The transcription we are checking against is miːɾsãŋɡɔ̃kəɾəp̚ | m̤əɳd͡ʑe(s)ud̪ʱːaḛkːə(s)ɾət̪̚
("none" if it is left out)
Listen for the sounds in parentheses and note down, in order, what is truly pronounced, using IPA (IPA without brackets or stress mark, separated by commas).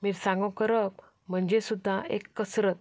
s, s